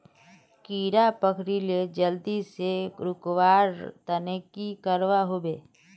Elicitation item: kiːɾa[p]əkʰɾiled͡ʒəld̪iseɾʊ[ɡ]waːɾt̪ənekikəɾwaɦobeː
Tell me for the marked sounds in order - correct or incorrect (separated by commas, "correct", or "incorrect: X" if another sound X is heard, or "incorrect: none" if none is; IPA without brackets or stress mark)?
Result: correct, incorrect: k